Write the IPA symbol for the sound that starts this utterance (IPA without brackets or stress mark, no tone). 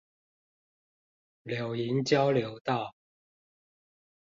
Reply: l